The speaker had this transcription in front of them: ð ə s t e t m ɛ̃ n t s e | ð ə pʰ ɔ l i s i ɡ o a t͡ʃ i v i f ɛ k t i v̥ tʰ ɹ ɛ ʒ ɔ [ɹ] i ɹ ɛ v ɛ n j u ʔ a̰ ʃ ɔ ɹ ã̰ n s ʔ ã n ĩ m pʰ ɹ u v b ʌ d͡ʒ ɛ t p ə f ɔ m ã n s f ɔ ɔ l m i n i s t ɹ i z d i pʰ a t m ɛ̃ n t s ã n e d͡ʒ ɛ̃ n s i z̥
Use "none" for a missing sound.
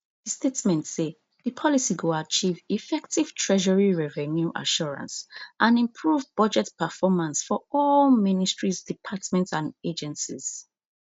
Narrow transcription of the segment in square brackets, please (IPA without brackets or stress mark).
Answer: ɹ